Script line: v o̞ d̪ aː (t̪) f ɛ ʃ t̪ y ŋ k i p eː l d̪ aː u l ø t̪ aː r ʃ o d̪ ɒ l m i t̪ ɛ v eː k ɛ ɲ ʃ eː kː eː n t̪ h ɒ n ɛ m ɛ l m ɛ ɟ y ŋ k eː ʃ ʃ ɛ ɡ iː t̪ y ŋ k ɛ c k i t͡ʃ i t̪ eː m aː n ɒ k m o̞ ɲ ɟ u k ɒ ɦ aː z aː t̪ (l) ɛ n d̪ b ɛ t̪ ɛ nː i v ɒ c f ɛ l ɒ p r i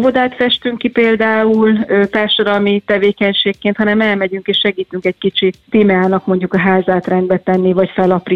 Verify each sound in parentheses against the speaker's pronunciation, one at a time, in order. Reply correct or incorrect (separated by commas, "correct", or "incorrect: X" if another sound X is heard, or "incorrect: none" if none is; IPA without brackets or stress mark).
correct, incorrect: r